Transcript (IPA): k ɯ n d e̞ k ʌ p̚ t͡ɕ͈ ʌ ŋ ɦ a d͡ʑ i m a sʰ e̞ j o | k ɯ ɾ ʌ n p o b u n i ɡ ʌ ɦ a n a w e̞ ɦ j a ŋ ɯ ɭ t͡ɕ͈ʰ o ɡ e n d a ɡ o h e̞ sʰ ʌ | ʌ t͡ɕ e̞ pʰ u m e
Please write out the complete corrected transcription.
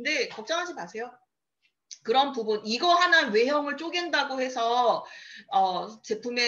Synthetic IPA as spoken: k ɯ n d e̞ k ʌ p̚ t͡ɕ͈ ʌ ŋ ɦ a d͡ʑ i m a sʰ e̞ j o | k ɯ ɾ ʌ n p u b u n i ɡ ʌ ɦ a n a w e̞ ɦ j ʌ ŋ ɯ ɭ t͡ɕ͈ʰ o ɡ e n d a ɡ o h e̞ sʰ ʌ | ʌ t͡ɕ e̞ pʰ u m e